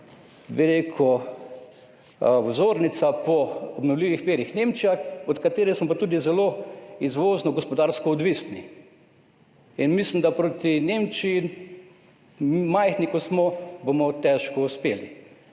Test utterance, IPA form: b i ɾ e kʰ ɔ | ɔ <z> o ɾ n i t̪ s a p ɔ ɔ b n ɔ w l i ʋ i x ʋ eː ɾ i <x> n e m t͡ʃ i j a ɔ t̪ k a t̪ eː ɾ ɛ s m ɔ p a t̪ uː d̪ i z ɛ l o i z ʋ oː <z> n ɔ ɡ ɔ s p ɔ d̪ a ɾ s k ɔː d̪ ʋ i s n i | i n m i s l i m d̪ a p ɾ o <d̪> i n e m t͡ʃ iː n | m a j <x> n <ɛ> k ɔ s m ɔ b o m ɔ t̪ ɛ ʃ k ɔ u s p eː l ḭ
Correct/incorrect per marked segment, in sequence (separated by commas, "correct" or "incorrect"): correct, correct, correct, incorrect, correct, incorrect